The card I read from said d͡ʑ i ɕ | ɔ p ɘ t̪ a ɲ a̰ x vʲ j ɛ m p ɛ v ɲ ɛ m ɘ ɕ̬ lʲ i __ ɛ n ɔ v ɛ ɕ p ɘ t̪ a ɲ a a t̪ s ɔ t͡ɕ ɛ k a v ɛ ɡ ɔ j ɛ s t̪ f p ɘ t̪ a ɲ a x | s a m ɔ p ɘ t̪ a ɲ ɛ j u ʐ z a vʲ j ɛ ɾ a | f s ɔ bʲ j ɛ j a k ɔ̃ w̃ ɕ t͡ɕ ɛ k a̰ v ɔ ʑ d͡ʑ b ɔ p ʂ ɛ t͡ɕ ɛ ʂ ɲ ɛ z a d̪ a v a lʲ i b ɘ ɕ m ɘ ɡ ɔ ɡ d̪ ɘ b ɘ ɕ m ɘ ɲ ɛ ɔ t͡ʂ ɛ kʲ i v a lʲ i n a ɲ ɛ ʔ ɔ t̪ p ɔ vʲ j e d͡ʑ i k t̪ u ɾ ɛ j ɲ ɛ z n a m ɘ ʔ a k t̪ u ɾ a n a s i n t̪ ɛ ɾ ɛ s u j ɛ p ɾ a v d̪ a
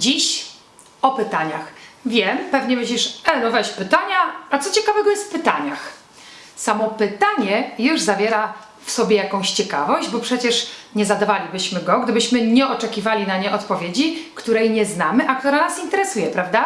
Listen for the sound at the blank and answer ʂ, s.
ʂ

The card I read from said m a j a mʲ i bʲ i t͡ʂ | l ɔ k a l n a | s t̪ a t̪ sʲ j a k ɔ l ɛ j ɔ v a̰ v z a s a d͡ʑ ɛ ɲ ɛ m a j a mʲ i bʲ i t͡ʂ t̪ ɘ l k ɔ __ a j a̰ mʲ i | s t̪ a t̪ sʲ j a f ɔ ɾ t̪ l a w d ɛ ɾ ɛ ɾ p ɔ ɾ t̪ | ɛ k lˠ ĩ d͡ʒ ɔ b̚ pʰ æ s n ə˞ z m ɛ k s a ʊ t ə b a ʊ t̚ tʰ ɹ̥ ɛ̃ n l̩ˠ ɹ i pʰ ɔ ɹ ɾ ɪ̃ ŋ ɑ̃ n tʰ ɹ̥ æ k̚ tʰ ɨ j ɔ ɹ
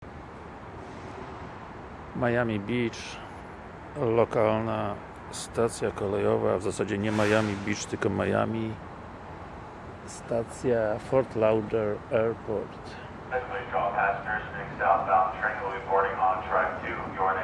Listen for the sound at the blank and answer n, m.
m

